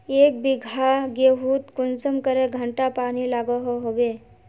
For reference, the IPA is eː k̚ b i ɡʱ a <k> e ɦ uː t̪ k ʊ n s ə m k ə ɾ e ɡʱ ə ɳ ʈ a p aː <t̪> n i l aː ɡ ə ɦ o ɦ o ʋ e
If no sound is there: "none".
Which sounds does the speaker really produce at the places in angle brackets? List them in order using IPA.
ɡ, none

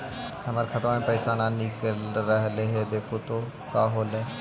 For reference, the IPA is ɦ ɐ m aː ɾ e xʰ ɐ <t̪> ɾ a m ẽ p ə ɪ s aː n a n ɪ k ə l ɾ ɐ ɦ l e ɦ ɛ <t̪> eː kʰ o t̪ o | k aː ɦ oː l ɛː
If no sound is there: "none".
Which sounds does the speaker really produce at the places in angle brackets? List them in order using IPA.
t̪, d̪

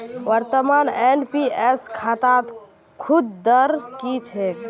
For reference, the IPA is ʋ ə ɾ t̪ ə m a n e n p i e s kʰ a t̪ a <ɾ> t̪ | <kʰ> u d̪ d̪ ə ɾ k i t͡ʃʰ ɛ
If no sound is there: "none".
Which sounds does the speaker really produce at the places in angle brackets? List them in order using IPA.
none, kʰ

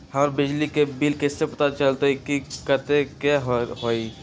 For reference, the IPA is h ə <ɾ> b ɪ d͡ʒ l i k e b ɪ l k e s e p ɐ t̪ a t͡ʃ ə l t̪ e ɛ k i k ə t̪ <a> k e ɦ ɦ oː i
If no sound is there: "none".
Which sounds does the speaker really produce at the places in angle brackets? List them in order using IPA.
ɾ, e

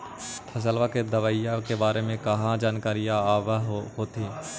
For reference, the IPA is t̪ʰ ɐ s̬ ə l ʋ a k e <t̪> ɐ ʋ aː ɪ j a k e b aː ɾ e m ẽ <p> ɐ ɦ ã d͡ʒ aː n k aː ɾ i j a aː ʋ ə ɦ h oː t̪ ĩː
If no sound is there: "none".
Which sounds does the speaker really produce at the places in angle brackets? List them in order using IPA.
d̪, k

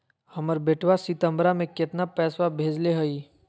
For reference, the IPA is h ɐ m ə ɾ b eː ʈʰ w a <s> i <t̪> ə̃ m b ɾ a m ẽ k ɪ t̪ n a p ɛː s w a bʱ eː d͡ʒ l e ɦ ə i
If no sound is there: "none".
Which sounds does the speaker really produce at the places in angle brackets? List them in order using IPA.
s, t̪

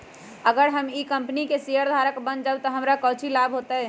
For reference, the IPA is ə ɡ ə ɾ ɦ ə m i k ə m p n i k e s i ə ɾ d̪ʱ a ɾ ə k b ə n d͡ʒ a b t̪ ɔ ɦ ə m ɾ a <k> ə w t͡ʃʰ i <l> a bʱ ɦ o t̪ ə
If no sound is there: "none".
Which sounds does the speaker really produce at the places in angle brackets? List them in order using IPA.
k, l

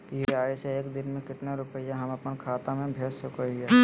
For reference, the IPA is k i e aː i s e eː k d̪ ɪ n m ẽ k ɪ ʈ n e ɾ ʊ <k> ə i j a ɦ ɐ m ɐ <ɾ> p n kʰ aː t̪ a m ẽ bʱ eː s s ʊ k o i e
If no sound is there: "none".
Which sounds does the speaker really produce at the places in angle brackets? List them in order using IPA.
p, none

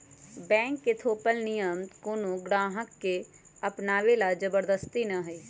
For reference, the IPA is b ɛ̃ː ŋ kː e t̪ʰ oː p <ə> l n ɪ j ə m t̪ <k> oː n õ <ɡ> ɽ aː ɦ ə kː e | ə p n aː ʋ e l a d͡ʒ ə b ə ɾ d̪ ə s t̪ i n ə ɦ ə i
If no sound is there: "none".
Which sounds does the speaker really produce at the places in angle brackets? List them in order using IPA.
ə, k, ɡ

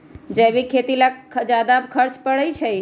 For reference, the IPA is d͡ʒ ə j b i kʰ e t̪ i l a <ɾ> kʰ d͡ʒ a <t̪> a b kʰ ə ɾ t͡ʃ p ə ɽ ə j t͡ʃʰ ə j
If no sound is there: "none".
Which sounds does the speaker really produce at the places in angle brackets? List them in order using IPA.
none, d̪

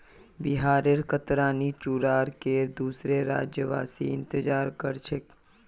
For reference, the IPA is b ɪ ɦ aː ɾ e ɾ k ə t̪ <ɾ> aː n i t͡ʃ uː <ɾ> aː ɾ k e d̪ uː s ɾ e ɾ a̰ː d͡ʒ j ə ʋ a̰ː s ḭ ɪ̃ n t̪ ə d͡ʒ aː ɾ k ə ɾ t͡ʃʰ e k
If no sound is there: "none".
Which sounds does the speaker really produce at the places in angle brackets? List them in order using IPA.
ɾ, ɾ

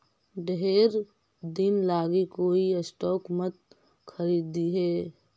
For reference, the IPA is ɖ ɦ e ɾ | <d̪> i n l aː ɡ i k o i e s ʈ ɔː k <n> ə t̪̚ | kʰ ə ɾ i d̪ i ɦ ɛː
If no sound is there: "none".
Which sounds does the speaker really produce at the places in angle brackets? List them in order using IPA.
d̪, m

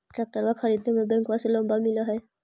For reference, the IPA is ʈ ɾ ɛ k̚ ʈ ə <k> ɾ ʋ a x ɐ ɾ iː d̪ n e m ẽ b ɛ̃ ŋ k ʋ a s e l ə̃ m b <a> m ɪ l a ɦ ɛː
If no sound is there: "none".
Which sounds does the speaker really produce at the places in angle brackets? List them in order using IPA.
none, a

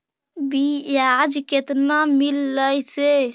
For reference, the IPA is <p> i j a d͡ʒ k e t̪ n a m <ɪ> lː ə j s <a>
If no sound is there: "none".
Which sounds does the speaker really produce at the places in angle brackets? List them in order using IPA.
b, i, e

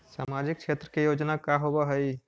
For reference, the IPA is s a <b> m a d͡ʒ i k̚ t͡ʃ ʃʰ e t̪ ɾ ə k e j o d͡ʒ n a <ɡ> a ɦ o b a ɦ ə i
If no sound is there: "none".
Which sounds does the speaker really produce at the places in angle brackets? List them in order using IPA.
none, k

